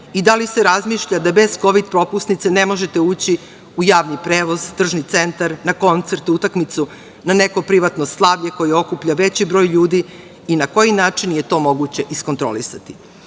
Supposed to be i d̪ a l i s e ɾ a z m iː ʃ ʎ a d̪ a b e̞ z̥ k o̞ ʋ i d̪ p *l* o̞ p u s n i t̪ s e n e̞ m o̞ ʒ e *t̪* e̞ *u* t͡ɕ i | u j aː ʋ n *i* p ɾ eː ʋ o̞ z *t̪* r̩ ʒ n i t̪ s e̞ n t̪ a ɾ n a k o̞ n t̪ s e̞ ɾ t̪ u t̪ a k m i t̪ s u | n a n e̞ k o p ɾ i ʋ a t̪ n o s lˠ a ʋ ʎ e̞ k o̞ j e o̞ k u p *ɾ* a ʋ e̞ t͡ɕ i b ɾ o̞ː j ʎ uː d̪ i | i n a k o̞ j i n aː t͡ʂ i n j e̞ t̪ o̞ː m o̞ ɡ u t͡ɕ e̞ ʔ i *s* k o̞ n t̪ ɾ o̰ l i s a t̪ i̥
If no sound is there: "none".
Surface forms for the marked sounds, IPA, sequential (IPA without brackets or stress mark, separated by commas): ɾ, t̪, uː, i, t̪, ʎ, s